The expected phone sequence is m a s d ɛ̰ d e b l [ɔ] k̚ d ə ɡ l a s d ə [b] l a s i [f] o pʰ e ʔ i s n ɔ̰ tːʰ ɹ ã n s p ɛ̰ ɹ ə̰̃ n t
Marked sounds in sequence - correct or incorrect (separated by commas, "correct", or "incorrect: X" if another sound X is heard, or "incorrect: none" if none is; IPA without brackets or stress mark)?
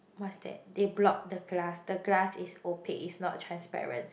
correct, incorrect: ɡ, incorrect: s